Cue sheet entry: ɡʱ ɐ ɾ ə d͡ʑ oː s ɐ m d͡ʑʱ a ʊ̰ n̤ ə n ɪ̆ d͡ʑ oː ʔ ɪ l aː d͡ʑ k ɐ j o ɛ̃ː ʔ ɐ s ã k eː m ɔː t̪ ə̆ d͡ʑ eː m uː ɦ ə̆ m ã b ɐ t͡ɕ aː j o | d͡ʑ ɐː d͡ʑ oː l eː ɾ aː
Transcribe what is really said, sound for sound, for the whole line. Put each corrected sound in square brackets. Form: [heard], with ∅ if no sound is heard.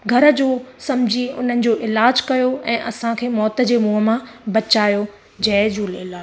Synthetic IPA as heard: ɡʱ ɐ ɾ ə d͡ʑ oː s ɐ m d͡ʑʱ [i] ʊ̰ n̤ ə n ɪ̆ d͡ʑ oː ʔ ɪ l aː d͡ʑ k ɐ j o ɛ̃ː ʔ ɐ s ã [kʰ] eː m ɔː t̪ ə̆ d͡ʑ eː m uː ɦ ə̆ m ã b ɐ t͡ɕ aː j o | d͡ʑ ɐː d͡ʑ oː l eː [l] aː